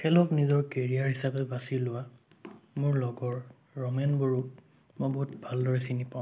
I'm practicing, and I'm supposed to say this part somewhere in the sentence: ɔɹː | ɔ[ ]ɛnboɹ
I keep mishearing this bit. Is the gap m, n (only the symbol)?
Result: m